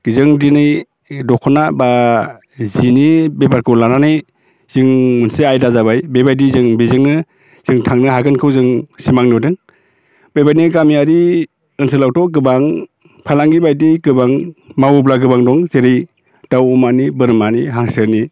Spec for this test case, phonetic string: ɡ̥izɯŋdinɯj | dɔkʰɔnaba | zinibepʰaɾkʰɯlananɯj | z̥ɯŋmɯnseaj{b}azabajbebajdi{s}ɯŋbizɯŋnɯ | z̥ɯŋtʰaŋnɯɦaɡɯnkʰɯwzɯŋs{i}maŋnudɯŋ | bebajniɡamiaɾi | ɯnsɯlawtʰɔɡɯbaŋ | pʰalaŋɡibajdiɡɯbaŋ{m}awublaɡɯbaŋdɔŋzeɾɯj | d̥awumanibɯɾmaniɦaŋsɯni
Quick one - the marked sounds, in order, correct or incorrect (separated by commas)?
incorrect, incorrect, correct, correct